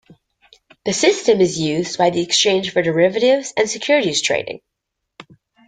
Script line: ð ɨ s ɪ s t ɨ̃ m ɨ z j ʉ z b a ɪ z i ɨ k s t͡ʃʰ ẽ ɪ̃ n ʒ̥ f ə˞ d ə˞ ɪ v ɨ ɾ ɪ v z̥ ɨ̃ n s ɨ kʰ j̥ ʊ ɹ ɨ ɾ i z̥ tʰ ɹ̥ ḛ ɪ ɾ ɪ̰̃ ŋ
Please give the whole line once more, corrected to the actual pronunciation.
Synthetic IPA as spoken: ð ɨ s ɪ s t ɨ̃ m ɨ z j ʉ z b a ɪ ð i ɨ k s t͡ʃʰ ẽ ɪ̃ n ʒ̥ f ə˞ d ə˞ ɪ v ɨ ɾ ɪ v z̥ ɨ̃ n s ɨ kʰ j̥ ʊ ɹ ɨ ɾ i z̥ tʰ ɹ̥ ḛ ɪ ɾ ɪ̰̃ ŋ